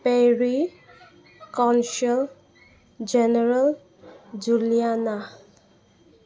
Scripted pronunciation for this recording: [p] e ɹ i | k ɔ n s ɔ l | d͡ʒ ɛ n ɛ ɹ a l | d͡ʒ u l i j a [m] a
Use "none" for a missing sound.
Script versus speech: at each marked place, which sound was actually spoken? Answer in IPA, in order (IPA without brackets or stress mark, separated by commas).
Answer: p, n